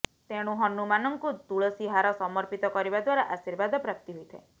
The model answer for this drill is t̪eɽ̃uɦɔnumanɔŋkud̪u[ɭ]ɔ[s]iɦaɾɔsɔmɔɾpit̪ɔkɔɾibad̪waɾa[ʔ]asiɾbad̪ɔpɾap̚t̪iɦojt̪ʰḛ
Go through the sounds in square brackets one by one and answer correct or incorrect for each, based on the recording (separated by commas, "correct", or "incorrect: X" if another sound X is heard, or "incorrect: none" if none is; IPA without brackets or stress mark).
correct, correct, correct